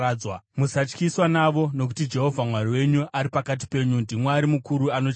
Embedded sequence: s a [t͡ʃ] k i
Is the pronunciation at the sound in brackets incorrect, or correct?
correct